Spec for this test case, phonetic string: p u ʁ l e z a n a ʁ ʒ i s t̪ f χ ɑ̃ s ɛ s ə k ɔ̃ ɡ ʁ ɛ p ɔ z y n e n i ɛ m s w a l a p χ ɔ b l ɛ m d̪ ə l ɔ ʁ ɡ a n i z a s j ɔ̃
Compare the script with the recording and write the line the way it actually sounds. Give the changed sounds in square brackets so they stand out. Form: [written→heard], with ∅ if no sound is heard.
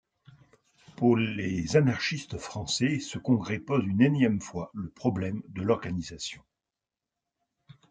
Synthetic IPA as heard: p u ʁ l e z a n a ʁ [ʒ→ʃ] i s t̪ f χ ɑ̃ s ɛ s ə k ɔ̃ ɡ ʁ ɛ p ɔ z y n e n [i→j] ɛ m [s→f] w a l [a→ə] p χ ɔ b l ɛ m d̪ ə l ɔ ʁ ɡ a n i z a s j ɔ̃